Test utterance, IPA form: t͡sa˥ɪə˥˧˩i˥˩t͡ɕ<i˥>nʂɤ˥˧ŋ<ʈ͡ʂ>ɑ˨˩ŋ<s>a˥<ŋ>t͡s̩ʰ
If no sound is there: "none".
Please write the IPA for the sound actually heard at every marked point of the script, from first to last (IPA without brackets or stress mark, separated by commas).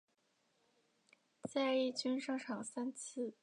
y˥, ʈ͡ʂʰ, s, n